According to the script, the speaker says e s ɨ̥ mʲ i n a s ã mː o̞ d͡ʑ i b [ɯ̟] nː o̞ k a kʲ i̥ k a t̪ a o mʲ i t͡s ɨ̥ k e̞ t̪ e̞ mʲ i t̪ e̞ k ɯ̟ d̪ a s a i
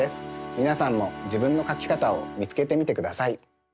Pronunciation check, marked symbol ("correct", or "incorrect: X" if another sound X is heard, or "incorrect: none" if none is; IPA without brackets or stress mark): incorrect: ɯ̟̃